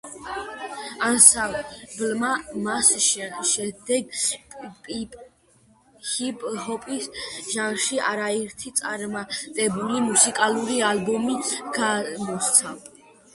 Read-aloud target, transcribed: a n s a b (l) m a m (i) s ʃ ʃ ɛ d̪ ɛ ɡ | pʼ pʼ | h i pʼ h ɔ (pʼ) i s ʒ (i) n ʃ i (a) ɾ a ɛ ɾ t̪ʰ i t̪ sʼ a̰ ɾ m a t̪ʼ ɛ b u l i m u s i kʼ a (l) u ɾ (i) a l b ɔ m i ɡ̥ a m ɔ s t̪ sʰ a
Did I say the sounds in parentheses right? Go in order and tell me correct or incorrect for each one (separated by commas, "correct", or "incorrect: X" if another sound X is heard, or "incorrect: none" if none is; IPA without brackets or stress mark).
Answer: correct, incorrect: a, correct, incorrect: a, correct, correct, correct